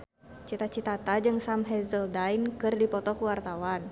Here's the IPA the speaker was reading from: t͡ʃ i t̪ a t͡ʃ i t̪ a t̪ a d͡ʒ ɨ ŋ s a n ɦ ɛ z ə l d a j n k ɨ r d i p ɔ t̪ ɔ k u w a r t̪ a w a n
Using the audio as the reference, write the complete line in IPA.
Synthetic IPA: t͡ʃ i t̪ a t͡ʃ i t̪ a t̪ a d͡ʒ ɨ ŋ s a m ɦ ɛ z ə l d a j n k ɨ r d i p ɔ t̪ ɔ k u w a r t̪ a w a n